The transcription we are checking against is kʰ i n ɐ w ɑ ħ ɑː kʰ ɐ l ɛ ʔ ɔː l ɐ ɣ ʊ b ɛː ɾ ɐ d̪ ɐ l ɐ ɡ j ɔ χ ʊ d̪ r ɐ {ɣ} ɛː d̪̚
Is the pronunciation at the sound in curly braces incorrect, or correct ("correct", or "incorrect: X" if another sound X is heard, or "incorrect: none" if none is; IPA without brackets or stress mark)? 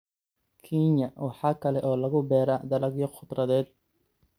incorrect: ð